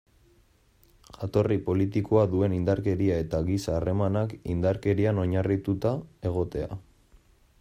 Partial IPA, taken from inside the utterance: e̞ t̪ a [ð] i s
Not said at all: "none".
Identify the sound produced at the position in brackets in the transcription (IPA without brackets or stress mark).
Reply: ɣ